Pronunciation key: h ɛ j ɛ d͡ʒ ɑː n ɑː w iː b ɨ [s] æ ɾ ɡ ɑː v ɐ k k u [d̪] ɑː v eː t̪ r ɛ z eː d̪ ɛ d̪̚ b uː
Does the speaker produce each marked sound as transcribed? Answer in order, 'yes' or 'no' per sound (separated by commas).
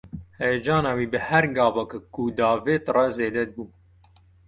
no, yes